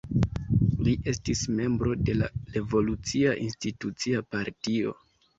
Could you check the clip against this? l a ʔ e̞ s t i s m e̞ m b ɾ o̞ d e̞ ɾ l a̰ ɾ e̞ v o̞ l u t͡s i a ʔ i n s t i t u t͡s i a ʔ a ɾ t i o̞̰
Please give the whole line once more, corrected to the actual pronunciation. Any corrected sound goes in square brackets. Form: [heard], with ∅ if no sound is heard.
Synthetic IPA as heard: l [i] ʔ e̞ s t i s m e̞ m b ɾ o̞ d e̞ [∅] l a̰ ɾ e̞ v o̞ l u t͡s i a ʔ i n s t i t u t͡s i a [p] a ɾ t i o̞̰